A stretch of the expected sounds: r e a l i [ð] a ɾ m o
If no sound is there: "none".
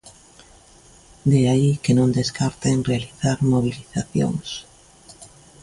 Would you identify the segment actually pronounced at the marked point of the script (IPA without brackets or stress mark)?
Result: θ